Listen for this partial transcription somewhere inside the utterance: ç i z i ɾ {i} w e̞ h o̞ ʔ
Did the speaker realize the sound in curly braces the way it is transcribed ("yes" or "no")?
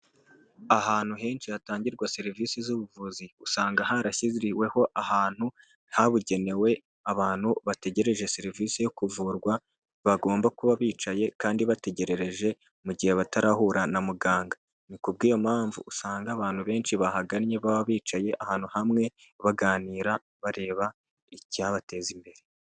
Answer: yes